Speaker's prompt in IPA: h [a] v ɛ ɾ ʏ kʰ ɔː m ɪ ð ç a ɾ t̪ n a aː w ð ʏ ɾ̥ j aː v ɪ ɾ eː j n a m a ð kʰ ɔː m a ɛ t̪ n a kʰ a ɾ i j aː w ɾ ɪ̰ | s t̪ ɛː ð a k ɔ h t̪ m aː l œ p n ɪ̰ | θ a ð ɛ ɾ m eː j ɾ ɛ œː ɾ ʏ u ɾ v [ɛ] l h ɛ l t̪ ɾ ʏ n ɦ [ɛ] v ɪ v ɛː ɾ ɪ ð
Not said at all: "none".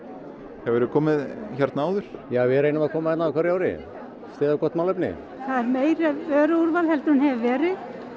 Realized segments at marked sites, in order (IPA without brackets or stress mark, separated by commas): ɛ, a, ɛ